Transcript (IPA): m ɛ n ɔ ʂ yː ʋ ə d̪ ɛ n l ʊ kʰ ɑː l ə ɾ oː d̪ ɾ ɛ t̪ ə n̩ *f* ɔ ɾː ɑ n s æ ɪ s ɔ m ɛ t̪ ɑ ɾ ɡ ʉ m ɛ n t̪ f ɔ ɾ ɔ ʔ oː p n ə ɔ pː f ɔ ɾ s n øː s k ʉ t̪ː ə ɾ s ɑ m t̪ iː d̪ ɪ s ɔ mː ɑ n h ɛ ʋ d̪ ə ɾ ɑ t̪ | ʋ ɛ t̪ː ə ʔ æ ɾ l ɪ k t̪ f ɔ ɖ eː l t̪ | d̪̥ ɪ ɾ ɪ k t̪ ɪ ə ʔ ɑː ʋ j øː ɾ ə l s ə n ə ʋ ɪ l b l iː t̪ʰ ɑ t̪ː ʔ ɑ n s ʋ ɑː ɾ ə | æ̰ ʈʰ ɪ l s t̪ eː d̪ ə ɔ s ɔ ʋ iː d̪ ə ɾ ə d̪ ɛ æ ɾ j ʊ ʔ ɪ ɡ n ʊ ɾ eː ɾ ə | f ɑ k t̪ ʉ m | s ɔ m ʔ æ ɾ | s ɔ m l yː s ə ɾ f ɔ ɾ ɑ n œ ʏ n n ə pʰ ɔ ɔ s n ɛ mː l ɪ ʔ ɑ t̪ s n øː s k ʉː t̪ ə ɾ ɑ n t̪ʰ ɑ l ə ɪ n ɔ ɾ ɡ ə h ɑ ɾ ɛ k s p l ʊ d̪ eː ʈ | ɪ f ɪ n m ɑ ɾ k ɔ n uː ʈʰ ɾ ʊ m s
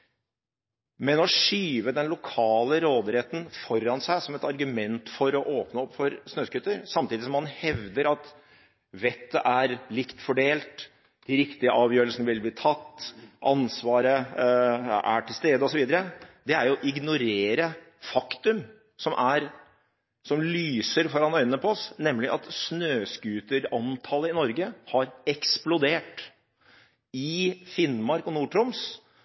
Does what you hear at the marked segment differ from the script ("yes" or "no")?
no